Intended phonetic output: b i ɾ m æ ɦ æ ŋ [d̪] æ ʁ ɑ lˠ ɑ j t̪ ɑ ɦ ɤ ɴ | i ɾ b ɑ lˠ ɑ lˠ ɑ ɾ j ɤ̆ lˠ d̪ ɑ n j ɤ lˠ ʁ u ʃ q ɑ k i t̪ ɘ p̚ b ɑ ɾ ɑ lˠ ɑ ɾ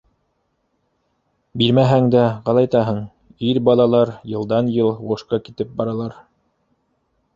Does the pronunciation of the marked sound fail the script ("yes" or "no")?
no